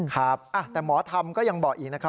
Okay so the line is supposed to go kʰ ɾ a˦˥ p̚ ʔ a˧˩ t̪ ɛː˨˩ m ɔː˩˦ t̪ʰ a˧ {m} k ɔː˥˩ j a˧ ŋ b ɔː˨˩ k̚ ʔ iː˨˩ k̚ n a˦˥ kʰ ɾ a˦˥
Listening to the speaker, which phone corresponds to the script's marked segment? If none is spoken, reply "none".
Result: m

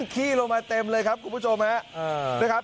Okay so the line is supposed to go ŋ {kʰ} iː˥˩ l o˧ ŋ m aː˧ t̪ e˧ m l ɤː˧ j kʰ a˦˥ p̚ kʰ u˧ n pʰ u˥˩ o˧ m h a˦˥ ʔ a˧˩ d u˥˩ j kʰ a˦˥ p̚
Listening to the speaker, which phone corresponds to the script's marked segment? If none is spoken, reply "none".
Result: kʰ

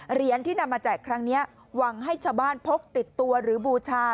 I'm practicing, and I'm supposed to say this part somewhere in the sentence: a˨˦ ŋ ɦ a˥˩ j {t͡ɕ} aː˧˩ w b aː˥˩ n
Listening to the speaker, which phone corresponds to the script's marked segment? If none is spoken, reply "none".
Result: t͡ɕʰ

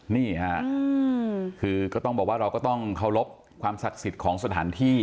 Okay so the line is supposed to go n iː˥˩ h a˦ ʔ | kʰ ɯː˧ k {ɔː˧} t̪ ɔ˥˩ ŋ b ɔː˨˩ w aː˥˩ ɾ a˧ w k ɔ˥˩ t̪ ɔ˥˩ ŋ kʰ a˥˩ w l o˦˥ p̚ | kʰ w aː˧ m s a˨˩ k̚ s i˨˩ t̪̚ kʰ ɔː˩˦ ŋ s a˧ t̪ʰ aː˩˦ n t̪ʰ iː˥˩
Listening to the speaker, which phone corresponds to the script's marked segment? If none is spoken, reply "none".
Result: ɔː˥˩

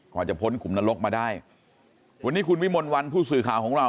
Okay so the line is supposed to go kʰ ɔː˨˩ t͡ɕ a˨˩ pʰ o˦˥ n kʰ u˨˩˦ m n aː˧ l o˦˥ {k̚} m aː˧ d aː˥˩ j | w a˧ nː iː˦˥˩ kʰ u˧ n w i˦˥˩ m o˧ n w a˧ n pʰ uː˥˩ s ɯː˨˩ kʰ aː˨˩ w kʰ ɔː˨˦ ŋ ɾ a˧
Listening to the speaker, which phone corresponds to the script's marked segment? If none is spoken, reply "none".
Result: k̚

